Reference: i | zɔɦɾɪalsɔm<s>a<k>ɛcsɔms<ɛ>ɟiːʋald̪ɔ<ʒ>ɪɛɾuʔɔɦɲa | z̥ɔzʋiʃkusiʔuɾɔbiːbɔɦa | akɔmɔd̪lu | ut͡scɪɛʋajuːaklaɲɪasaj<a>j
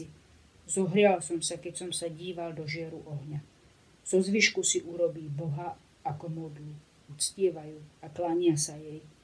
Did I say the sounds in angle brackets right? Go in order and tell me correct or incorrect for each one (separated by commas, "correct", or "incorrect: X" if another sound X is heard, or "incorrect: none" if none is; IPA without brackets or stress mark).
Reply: correct, correct, incorrect: a, correct, incorrect: ɛ